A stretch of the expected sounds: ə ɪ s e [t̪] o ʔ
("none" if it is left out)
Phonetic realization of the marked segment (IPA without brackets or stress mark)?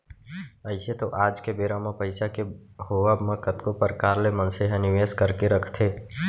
t̪